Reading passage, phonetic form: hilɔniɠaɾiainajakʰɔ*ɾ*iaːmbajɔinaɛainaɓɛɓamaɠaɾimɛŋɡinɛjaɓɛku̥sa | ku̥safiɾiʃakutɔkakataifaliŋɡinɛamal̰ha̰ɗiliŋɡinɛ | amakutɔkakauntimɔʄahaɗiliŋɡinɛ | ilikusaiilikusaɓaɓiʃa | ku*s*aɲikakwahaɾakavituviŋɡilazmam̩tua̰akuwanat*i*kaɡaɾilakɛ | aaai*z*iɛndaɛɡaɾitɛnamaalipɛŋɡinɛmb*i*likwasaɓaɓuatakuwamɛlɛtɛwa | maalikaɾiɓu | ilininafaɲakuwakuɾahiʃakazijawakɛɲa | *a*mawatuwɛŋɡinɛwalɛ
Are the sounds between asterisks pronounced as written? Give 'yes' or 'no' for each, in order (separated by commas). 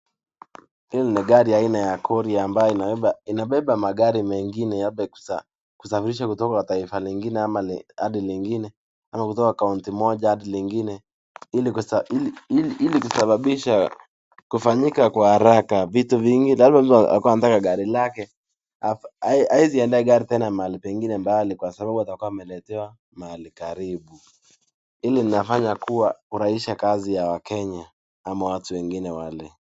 yes, no, no, yes, no, yes